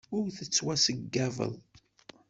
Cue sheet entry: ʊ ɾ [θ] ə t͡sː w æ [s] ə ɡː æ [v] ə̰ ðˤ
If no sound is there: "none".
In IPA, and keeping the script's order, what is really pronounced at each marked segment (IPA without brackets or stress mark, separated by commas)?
θ, s, v